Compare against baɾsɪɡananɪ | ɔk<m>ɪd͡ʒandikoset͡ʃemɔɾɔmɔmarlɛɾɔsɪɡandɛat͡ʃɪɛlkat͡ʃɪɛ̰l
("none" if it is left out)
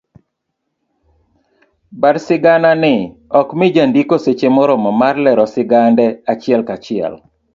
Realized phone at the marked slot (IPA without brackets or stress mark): m